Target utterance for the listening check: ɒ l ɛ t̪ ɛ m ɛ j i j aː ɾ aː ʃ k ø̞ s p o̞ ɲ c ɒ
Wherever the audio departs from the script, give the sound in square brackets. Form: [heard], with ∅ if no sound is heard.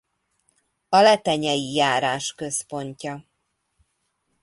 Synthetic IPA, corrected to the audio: ɒ l ɛ t̪ ɛ [ɲ] ɛ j i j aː ɾ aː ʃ k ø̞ s p o̞ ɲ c ɒ